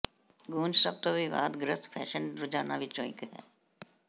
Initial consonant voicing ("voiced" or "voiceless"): voiced